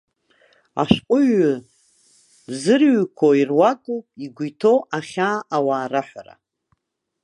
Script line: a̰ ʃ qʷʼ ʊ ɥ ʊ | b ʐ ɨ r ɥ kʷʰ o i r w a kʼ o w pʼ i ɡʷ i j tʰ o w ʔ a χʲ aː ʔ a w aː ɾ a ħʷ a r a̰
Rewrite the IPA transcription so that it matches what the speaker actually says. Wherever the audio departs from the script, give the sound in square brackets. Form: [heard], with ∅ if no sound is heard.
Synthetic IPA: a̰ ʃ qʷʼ ʊ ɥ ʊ | b [z] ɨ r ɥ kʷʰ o i r w a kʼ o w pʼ i ɡʷ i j tʰ o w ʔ a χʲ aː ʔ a w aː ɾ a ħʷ a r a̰